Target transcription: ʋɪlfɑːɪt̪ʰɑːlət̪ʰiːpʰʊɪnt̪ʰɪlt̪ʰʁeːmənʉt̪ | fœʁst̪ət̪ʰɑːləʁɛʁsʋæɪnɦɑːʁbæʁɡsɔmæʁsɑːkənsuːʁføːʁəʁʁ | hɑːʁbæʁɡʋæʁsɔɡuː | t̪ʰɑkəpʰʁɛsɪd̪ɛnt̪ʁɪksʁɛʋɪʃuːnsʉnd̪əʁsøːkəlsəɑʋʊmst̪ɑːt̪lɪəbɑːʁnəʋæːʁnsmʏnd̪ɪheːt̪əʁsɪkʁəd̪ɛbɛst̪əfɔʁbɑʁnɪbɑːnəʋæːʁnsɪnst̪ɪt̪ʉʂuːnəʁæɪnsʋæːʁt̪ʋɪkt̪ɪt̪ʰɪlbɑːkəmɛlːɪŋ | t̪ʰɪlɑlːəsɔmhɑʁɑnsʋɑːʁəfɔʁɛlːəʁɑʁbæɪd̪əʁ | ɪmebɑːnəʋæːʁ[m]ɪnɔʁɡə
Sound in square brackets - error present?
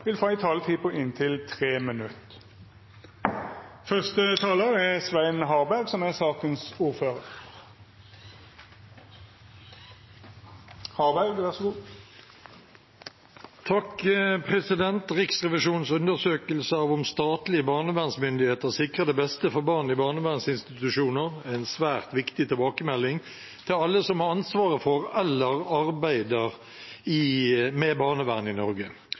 yes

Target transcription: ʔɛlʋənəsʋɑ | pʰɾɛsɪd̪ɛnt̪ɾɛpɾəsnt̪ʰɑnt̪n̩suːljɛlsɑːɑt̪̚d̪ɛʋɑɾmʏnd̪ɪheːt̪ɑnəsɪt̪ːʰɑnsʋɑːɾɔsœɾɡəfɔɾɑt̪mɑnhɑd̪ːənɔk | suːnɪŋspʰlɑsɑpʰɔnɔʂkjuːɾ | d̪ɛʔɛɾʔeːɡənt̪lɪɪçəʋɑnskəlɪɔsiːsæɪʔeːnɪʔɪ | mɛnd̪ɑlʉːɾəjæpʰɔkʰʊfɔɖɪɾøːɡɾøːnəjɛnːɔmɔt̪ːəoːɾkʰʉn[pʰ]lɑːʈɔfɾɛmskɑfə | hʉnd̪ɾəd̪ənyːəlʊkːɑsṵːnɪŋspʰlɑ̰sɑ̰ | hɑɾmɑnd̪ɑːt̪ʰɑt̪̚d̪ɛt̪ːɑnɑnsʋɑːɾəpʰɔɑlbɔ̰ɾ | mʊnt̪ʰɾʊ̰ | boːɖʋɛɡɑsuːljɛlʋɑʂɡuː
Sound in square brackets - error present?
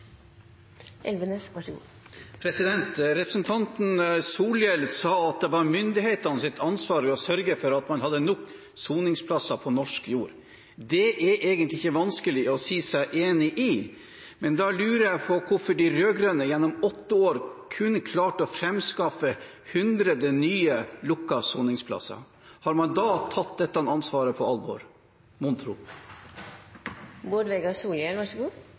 yes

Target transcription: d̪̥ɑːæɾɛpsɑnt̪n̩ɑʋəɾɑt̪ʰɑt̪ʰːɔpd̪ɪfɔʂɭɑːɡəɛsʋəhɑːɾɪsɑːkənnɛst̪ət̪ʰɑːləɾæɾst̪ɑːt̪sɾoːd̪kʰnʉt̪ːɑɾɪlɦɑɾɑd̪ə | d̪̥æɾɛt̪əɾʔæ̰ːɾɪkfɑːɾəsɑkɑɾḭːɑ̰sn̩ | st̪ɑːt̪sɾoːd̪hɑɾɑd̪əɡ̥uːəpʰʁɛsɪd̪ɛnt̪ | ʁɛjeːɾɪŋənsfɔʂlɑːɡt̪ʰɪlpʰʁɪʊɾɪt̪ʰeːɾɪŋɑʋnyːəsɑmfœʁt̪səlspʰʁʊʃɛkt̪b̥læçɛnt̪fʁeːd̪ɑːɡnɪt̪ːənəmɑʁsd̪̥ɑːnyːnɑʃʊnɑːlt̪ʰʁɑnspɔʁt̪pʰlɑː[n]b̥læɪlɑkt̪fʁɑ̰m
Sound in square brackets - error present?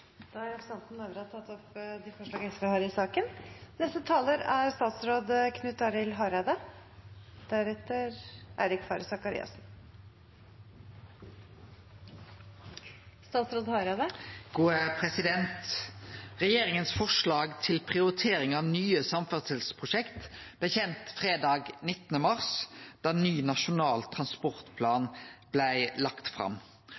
no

